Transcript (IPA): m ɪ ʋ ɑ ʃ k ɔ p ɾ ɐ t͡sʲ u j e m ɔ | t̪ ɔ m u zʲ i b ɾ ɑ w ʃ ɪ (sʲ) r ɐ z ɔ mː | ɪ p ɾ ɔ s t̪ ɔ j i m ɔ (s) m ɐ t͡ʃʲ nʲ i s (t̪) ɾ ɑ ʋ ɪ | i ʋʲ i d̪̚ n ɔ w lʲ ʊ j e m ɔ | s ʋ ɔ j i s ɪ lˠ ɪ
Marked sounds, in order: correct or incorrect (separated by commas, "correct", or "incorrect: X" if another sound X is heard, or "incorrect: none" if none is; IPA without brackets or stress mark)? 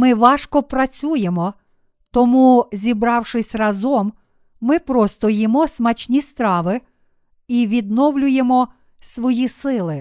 correct, correct, correct